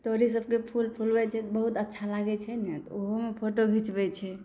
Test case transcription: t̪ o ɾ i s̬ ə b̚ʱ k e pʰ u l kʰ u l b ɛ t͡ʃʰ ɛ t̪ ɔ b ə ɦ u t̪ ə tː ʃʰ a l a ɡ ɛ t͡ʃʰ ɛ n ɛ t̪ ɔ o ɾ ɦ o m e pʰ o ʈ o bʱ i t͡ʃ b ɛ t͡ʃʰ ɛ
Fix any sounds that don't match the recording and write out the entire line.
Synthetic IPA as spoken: t̪ o ɾ i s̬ ə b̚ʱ k e pʰ u l pʰ u l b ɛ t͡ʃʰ ɛ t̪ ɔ b ə ɦ u t̪ ə tː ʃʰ a l a ɡ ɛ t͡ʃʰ ɛ n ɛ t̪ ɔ o ɦ o m e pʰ o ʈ o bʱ i t͡ʃ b ɛ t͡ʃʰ ɛ